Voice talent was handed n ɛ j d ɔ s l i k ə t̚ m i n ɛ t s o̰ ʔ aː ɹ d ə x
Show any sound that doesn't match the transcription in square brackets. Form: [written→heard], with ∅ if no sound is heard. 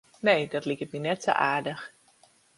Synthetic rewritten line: n [ɛ→e] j d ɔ [s→t] l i k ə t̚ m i n ɛ t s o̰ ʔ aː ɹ d ə x